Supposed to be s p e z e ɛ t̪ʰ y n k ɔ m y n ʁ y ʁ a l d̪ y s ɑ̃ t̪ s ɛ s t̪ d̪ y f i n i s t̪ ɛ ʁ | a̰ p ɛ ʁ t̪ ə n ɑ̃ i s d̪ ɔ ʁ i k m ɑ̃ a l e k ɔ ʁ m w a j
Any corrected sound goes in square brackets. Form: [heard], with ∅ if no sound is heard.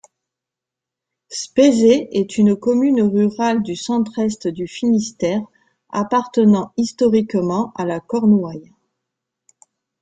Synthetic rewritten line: s p e z e ɛ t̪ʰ y n k ɔ m y n ʁ y ʁ a l d̪ y s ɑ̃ t̪ [χ] ɛ s t̪ d̪ y f i n i s t̪ ɛ ʁ | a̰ p [a] ʁ t̪ ə n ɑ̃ i s [t̪] ɔ ʁ i k m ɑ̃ a l [a] k ɔ ʁ [n] w a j

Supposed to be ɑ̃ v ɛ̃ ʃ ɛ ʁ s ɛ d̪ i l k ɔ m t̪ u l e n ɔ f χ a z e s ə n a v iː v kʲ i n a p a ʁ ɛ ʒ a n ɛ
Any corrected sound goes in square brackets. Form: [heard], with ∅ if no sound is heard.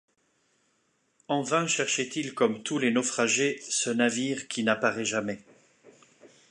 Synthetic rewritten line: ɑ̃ v ɛ̃ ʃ ɛ ʁ [ʃ] ɛ [t̪] i l k ɔ m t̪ u l e n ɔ f χ a [ʒ] e s ə n a v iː [ʁ] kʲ i n a p a ʁ ɛ ʒ a [m] ɛ

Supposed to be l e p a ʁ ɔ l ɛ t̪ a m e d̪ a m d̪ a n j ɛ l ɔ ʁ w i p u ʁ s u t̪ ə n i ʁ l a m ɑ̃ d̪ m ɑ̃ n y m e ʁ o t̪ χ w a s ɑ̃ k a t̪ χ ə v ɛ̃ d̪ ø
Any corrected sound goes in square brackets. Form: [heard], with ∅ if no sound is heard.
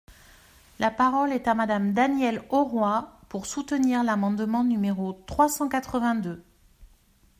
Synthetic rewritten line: l [a] p a ʁ ɔ l ɛ t̪ a m [a] d̪ a m d̪ a n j ɛ l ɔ ʁ w [a] p u ʁ s u t̪ ə n i ʁ l a m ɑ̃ d̪ m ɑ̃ n y m e ʁ o t̪ χ w a s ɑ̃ k a t̪ χ ə v ɛ̃ d̪ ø

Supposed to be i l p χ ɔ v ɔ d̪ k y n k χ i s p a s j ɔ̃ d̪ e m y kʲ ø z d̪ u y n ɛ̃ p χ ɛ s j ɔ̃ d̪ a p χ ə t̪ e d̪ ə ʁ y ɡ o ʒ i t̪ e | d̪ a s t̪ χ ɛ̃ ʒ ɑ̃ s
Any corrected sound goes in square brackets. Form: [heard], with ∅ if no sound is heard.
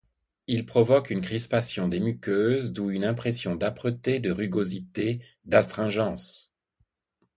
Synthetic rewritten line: i l p χ ɔ v ɔ [∅] k y n k χ i s p a s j ɔ̃ d̪ e m y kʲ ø z d̪ u y n ɛ̃ p χ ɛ s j ɔ̃ d̪ a p χ ə t̪ e d̪ ə ʁ y ɡ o [z] i t̪ e | d̪ a s t̪ χ ɛ̃ ʒ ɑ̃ s

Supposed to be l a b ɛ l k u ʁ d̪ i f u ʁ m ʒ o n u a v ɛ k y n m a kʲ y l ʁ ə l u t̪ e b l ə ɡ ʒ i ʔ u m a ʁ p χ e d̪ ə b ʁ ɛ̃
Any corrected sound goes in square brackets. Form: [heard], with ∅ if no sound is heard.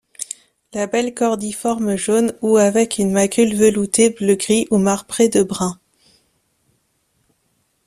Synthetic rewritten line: l a b ɛ l k [ɔ] ʁ d̪ i f [ɔ] ʁ m ʒ o n u a v ɛ k y n m a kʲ y l [v] ə l u t̪ e b l ə ɡ [ʁ] i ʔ u m a ʁ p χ e d̪ ə b ʁ ɛ̃

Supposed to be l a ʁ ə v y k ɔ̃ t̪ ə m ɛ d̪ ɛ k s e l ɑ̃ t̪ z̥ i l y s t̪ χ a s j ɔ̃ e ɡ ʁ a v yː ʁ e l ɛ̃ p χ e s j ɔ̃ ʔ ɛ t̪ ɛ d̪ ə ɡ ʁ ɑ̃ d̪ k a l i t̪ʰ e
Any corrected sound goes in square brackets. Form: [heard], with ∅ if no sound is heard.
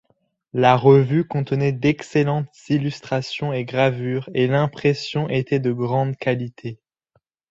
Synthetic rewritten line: l a ʁ ə v y k ɔ̃ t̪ ə [n] ɛ d̪ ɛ k s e l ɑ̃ t̪ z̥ i l y s t̪ χ a s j ɔ̃ e ɡ ʁ a v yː ʁ e l ɛ̃ p χ e s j ɔ̃ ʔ [e] t̪ ɛ d̪ ə ɡ ʁ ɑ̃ d̪ k a l i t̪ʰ e

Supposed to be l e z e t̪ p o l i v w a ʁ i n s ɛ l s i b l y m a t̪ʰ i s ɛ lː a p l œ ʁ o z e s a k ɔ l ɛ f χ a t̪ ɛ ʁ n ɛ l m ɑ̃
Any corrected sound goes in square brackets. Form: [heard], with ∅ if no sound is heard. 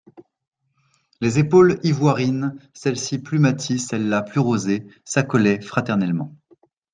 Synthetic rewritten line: l e z e [∅] p o l i v w a ʁ i n s ɛ l s i [p] l y m a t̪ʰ i s ɛ lː a p l [y] ʁ o z e s a k ɔ l ɛ f χ a t̪ ɛ ʁ n ɛ l m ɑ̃

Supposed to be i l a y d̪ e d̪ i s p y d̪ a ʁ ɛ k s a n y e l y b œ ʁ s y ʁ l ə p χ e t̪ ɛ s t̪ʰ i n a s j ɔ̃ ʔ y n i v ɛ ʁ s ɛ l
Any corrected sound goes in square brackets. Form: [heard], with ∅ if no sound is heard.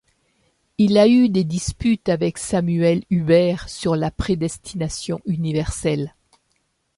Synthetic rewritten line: i l a y d̪ e d̪ i s p y [t̪] a [v] ɛ k s a [m] y [ɛ] l y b [ɛ] ʁ s y ʁ l [a] p χ e [d̪] ɛ s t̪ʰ i n a s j ɔ̃ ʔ y n i v ɛ ʁ s ɛ l

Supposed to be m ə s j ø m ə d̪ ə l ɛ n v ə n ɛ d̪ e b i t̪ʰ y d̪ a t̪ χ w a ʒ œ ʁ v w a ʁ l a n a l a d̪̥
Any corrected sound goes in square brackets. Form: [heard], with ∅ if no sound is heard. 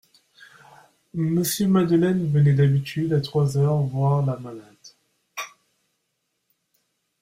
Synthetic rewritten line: m ə s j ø m [a] d̪ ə l ɛ n v ə n ɛ d̪ [a] b i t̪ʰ y d̪ a t̪ χ w a [z] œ ʁ v w a ʁ l a [m] a l a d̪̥

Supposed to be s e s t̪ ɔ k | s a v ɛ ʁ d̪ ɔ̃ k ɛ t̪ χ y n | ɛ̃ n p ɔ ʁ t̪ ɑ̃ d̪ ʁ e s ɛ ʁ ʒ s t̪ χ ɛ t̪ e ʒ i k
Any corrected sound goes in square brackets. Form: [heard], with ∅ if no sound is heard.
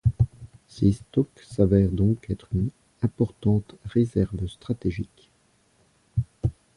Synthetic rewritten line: s e s t̪ ɔ k | s a v ɛ ʁ d̪ ɔ̃ k ɛ t̪ χ y n | ɛ̃ [∅] p ɔ ʁ t̪ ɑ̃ [t̪] ʁ e [z] ɛ ʁ [v] s t̪ χ [a] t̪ e ʒ i k

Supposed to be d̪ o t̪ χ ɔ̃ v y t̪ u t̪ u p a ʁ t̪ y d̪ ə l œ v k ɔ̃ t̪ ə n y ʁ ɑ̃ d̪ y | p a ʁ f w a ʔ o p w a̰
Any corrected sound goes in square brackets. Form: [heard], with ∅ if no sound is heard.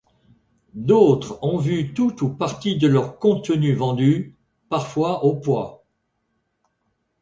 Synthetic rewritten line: d̪ o t̪ χ ɔ̃ v y t̪ u t̪ u p a ʁ t̪ [i] d̪ ə l œ [ʁ] k ɔ̃ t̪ ə n y [v] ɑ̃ d̪ y | p a ʁ f w a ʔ o p w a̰

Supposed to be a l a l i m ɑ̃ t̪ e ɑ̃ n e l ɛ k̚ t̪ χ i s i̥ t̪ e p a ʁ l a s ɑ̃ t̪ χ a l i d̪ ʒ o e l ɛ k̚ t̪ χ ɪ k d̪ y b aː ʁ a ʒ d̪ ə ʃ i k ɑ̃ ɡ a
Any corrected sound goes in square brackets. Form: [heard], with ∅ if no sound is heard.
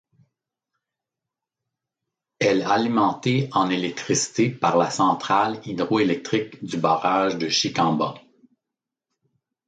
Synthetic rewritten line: [ɛ] l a l i m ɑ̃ t̪ e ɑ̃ n e l ɛ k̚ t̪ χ i s i̥ t̪ e p a ʁ l a s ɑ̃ t̪ χ a l i d̪ [ʁ] o e l ɛ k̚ t̪ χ ɪ k d̪ y b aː ʁ a ʒ d̪ ə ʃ i k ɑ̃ [b] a

